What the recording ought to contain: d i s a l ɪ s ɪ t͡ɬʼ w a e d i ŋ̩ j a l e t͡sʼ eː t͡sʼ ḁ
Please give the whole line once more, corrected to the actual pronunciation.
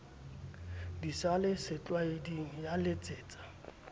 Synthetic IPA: d i s a l ɪ s ɪ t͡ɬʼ w a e d i ŋ̩ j a l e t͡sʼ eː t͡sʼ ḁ